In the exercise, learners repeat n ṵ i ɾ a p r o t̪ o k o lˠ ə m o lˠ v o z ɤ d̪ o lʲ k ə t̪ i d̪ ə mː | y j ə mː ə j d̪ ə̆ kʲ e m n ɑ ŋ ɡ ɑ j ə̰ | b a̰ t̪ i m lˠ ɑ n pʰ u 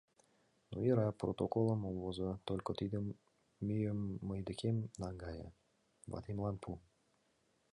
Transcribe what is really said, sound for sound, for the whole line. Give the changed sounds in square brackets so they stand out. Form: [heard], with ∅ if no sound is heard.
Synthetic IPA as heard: n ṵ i ɾ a p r o t̪ o k o lˠ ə m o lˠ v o z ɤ [t̪] o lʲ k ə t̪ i d̪ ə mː | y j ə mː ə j d̪ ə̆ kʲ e m n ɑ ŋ ɡ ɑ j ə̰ | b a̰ t̪ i m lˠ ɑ n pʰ u